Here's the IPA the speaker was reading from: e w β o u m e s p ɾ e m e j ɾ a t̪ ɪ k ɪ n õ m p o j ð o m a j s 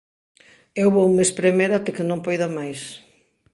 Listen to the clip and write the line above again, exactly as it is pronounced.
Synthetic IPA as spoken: e w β o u m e s p ɾ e m e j ɾ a t̪ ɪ k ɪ n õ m p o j ð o m a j s